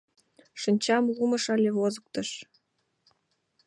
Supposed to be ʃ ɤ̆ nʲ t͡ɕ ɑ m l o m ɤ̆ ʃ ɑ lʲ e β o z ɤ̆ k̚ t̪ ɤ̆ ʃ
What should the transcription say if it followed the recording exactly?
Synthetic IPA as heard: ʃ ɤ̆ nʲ t͡ɕ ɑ m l u m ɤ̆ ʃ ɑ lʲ e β o z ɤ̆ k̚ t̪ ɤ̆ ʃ